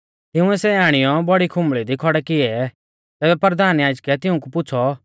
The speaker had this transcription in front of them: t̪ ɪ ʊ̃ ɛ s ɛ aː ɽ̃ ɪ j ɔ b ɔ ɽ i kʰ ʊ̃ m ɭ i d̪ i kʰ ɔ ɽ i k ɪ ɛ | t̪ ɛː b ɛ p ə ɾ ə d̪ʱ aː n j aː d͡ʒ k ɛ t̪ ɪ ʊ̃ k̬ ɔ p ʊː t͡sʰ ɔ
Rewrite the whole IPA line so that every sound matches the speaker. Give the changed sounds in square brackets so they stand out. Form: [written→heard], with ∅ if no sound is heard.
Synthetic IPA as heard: t̪ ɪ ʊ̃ ɛ s ɛ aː ɽ̃ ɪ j ɔ b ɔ ɽ i kʰ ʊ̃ m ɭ i d̪ i kʰ ɔ ɽ [i→ɛ] k ɪ ɛ | t̪ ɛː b ɛ p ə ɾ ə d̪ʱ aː n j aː d͡ʒ k ɛ t̪ ɪ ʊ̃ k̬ [ɔ→u] p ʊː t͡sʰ ɔ